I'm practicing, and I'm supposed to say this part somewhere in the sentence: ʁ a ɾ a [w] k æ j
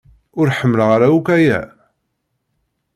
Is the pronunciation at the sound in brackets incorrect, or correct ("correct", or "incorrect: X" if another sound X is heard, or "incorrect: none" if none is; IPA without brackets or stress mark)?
incorrect: u